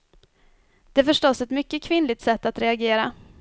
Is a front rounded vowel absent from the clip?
no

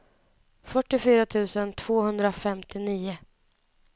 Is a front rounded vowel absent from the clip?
no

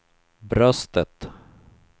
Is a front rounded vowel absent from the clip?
no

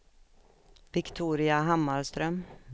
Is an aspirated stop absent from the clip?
no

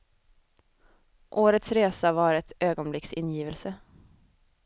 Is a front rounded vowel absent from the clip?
no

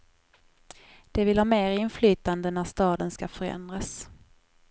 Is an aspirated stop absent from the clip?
yes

